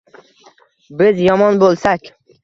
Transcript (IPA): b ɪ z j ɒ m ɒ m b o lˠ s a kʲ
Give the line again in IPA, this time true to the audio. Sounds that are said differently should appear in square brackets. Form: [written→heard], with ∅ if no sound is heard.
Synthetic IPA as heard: b ɪ z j ɒ m ɒ [m→n] b o lˠ s a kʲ